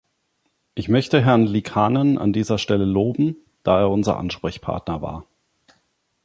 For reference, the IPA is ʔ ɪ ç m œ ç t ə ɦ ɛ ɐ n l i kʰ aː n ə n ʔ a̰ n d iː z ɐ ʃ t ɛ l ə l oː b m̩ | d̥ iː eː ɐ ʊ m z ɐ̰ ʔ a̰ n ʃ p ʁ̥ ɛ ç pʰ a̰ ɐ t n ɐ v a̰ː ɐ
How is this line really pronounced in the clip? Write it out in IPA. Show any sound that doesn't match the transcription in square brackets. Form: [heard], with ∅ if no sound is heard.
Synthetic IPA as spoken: ʔ ɪ ç m œ ç t ə ɦ ɛ ɐ n l i kʰ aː n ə n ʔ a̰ n d iː z ɐ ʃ t ɛ l ə l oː b m̩ | d̥ [aː] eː ɐ ʊ [n] z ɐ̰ ʔ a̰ n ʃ p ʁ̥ ɛ ç pʰ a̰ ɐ t n ɐ v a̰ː ɐ